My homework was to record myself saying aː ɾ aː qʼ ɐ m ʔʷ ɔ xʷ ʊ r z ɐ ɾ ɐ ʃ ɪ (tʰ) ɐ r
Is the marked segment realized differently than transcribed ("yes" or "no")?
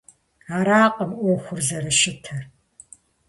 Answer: no